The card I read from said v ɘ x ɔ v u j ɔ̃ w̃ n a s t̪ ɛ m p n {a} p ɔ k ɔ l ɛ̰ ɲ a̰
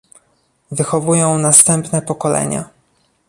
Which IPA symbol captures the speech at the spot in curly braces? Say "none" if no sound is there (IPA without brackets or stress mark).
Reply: ɛ